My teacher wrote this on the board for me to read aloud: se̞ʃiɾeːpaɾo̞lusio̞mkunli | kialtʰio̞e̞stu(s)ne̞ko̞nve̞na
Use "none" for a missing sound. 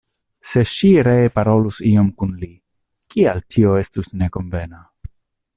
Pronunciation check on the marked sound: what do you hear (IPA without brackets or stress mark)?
s